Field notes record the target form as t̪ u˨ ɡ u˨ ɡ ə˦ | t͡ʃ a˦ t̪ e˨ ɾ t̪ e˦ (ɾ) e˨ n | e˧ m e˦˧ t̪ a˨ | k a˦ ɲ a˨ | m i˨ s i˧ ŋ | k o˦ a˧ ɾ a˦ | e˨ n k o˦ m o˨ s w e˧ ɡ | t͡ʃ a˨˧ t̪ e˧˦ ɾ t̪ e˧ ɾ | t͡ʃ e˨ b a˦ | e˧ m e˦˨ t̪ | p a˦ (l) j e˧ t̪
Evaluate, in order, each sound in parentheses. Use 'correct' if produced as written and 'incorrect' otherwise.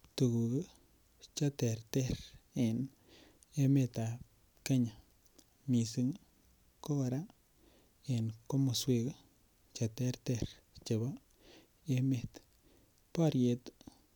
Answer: correct, incorrect

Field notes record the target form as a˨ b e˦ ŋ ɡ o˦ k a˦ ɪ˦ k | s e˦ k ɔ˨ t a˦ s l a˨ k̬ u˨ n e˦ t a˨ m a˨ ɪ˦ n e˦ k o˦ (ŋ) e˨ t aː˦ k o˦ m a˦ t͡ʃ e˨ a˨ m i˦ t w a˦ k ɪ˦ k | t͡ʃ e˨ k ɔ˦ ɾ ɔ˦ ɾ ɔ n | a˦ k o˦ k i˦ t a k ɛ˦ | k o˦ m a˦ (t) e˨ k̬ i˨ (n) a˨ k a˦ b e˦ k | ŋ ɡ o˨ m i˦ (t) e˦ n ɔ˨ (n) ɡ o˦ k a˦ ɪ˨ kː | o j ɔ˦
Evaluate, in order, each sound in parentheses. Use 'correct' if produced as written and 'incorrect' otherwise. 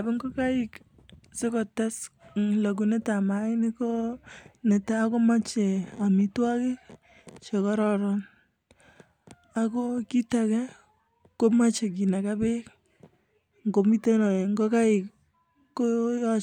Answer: incorrect, incorrect, correct, correct, incorrect

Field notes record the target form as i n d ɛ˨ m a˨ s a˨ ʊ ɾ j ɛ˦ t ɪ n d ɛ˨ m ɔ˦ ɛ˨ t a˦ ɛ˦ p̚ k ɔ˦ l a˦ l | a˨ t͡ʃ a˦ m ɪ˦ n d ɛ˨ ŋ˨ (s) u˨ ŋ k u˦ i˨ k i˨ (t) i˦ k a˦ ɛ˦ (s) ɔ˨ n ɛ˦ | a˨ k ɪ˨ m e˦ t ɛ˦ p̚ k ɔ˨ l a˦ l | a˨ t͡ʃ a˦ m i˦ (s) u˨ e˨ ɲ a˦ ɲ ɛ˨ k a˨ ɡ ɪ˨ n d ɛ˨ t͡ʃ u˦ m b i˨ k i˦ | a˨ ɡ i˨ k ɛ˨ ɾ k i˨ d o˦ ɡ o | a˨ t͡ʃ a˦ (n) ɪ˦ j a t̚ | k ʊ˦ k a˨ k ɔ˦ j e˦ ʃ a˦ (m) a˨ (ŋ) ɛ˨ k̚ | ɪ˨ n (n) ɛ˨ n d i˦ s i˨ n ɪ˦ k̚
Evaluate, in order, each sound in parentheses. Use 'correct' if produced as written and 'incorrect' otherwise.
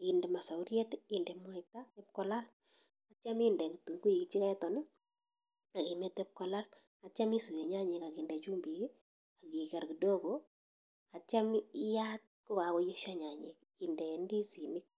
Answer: incorrect, incorrect, incorrect, correct, incorrect, incorrect, incorrect, incorrect

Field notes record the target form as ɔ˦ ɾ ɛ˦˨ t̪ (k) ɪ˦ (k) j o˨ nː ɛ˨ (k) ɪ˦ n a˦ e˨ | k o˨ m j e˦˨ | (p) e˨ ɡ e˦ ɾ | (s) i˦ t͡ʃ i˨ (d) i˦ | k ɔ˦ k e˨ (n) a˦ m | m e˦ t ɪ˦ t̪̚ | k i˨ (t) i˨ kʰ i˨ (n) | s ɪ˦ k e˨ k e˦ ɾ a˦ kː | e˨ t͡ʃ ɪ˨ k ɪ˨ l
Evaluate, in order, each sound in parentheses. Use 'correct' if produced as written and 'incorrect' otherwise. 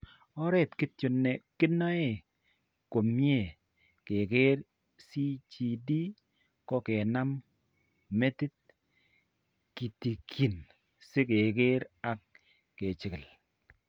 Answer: correct, incorrect, correct, incorrect, correct, correct, correct, correct, correct

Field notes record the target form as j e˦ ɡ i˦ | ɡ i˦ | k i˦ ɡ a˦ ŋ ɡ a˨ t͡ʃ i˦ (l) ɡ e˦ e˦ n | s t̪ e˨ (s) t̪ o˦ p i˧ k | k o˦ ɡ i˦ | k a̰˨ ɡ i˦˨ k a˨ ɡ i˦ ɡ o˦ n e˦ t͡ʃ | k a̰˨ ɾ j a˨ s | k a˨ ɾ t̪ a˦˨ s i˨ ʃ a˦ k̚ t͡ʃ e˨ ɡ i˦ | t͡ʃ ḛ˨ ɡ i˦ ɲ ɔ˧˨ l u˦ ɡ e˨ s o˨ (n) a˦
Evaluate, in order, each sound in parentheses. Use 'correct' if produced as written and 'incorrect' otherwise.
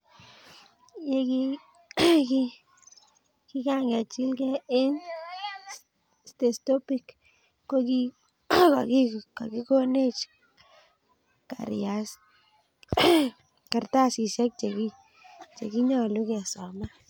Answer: correct, correct, incorrect

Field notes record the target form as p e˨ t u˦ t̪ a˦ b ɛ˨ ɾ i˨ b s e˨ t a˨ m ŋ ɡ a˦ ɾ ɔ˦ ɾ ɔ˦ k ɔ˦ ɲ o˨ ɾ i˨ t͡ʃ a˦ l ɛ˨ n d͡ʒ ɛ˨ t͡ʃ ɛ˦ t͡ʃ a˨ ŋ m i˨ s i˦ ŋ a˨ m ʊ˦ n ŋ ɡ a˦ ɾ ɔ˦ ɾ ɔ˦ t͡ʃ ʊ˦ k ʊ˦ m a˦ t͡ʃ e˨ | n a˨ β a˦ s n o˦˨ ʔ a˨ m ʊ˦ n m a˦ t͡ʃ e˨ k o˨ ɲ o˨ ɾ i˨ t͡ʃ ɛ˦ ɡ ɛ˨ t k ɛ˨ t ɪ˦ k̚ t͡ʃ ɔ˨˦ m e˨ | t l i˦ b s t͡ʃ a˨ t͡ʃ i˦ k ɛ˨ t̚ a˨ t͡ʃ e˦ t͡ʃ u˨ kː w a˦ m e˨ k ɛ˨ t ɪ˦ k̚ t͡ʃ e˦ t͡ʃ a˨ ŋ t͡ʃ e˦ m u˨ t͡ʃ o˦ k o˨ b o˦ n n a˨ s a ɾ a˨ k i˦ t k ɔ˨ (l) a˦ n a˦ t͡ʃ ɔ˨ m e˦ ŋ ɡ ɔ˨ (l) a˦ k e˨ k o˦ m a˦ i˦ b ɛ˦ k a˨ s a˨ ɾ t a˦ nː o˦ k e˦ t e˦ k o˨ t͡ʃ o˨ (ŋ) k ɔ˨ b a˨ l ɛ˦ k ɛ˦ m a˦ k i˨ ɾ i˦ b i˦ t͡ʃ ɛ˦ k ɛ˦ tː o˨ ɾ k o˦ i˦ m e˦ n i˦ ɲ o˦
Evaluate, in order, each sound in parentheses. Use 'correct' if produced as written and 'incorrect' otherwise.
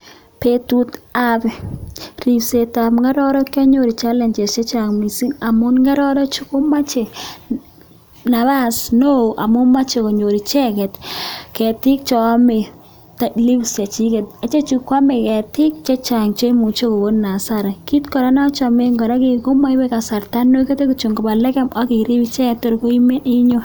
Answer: incorrect, incorrect, correct

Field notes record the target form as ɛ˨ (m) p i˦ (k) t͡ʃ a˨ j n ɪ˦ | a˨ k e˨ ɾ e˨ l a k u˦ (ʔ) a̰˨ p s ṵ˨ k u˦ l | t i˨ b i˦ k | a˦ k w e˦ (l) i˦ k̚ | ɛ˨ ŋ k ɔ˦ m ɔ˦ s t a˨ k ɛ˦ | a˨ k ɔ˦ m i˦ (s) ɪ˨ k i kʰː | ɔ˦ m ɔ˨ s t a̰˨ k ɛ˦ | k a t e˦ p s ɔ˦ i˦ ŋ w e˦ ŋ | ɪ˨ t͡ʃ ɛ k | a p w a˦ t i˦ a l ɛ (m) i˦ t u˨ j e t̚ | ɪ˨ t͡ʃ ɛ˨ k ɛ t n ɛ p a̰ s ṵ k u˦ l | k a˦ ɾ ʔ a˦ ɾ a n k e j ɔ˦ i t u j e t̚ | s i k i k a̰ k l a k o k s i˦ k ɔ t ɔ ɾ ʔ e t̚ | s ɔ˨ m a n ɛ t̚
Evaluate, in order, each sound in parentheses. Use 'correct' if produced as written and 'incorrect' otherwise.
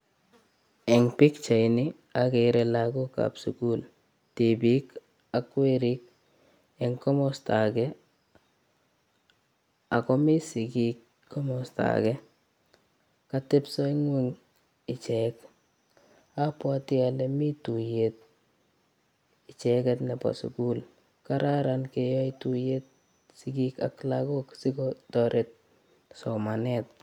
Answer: incorrect, correct, incorrect, incorrect, correct, correct

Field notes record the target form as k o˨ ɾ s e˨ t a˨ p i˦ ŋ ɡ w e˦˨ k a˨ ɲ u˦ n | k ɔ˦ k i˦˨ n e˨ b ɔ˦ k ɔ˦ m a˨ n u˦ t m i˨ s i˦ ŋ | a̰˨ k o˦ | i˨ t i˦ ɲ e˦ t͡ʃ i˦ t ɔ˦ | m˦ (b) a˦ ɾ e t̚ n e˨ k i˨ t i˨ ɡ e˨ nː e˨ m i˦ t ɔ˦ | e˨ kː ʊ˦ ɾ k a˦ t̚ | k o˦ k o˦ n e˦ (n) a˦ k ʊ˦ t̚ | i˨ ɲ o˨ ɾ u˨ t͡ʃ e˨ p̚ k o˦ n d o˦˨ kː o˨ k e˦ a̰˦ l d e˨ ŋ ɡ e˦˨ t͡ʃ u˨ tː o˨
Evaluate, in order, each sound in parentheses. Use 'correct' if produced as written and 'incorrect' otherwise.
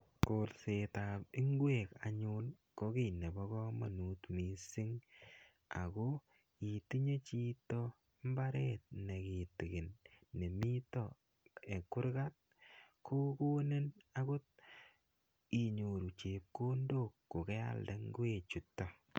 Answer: correct, correct

